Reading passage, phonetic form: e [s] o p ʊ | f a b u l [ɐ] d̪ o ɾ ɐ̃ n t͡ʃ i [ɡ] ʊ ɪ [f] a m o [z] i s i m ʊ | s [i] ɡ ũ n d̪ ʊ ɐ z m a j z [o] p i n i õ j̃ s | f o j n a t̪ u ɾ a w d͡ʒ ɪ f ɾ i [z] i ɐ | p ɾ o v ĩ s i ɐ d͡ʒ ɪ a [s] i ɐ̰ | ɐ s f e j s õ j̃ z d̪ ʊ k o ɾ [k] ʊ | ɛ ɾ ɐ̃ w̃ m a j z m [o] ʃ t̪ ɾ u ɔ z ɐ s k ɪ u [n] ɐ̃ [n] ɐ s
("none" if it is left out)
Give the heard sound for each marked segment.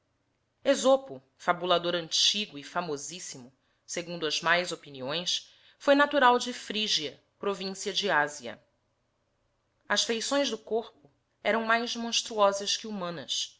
z, a, ɡ, f, z, e, o, ʒ, z, p, õ, m, n

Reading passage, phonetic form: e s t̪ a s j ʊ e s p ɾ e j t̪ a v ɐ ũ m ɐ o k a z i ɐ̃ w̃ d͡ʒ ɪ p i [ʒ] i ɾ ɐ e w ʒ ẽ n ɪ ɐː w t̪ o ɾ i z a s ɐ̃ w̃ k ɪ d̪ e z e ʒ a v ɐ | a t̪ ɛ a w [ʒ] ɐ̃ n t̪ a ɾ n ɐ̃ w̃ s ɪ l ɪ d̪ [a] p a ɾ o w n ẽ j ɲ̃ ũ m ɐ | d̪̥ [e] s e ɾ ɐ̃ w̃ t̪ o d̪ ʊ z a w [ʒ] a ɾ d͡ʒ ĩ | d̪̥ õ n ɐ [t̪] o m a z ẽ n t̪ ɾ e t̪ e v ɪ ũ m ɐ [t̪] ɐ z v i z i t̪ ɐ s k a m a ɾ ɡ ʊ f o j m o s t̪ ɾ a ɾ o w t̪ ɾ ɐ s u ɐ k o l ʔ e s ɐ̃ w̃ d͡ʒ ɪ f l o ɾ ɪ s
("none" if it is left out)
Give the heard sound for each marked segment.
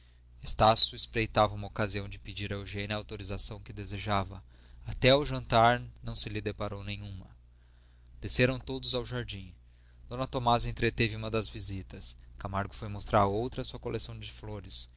d͡ʒ, ʒ, e, e, ʒ, t̪, d̪

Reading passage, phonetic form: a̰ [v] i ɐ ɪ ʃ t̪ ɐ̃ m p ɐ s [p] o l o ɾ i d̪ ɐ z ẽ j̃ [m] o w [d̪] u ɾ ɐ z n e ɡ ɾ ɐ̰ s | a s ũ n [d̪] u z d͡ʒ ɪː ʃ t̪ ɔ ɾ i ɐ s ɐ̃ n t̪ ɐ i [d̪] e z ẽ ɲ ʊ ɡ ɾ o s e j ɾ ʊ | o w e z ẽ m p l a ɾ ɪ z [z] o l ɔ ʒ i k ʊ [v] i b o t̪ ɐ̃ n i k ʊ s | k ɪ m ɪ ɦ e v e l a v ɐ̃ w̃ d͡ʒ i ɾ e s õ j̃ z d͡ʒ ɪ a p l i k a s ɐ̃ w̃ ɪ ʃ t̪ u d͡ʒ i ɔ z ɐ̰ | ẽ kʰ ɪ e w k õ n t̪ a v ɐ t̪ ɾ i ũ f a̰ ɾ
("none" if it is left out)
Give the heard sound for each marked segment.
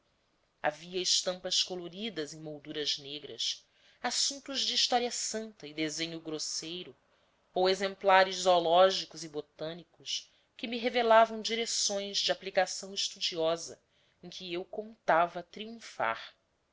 v, k, m, d̪, t̪, d̪, z, z

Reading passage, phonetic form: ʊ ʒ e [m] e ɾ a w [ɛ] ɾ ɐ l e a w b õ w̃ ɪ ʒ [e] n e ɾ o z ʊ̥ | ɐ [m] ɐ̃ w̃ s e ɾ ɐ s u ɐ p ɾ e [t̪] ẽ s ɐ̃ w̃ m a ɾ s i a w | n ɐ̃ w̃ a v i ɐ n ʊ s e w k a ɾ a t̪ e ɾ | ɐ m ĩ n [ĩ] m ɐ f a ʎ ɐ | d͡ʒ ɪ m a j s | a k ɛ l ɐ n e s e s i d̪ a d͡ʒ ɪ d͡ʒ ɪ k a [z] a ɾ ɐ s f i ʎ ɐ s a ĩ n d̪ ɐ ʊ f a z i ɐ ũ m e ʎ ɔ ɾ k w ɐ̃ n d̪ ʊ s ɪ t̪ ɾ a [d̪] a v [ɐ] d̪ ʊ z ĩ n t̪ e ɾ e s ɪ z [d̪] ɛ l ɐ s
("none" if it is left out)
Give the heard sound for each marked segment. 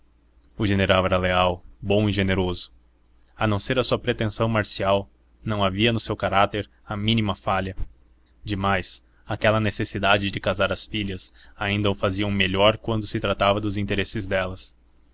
n, ɛ, e, n, t̪, i, z, t̪, ɐ, d̪

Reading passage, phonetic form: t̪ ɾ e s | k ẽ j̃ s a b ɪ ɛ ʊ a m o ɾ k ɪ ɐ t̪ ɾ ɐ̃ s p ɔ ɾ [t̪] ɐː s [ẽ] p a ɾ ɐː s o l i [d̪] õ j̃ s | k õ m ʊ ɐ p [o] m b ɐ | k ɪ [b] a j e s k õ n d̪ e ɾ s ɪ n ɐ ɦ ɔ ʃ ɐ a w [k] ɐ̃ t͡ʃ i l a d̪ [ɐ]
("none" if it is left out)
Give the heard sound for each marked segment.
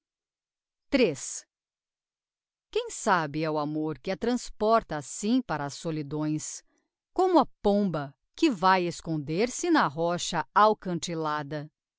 t̪, ĩ, d̪, õ, v, k, ɐ

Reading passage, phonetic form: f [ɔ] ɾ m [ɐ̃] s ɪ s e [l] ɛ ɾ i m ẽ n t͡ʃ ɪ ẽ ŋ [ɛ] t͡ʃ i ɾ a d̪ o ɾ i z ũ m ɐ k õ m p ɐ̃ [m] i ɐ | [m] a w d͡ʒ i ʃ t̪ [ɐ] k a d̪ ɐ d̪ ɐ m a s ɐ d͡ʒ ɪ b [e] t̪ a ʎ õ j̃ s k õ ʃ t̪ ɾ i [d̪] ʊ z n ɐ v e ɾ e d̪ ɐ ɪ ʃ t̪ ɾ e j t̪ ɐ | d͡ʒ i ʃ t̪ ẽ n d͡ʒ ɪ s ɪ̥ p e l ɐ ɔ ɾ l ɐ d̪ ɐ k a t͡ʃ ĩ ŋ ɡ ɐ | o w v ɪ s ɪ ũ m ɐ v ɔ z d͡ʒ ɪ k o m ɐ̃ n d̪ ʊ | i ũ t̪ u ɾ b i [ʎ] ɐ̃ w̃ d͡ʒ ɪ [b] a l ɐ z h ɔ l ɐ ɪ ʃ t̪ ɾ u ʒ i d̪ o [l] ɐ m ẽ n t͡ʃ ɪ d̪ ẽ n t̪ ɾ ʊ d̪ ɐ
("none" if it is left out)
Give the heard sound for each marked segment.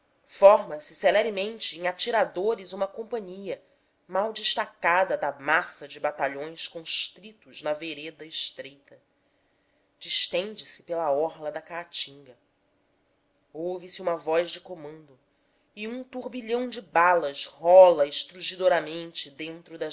ɔ, ɐ, l, a, ɲ, m, a, a, t̪, ʎ, b, ɾ

